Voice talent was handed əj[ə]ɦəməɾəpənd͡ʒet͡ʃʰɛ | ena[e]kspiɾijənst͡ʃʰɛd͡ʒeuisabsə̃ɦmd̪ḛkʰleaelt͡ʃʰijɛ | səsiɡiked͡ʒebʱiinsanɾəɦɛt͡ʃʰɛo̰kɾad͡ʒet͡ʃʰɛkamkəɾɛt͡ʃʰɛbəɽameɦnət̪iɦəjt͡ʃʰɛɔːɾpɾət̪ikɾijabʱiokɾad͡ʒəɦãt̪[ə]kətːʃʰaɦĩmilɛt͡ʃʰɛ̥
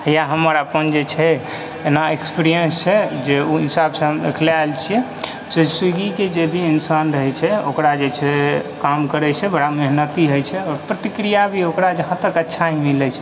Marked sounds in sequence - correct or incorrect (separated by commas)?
incorrect, correct, correct